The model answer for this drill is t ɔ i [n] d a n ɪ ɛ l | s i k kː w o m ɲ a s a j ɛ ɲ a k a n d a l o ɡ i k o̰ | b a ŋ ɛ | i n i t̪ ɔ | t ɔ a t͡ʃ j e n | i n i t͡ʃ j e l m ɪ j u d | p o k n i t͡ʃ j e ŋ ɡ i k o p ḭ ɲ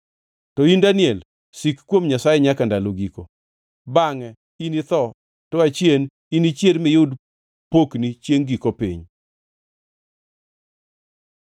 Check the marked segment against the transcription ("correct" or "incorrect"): correct